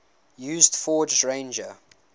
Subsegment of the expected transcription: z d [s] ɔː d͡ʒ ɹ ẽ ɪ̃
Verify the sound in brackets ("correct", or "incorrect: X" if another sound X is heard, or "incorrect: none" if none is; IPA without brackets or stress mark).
incorrect: f